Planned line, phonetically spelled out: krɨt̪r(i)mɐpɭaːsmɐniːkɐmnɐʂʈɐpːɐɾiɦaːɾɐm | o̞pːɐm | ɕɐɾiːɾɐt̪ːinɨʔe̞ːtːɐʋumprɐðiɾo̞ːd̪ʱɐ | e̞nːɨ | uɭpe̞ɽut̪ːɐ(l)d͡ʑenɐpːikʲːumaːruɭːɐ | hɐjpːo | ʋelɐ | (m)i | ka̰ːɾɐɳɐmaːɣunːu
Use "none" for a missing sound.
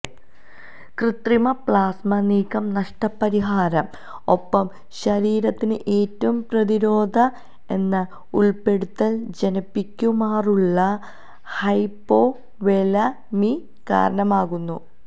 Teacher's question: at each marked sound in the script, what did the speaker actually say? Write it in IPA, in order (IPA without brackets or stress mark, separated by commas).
i, l, m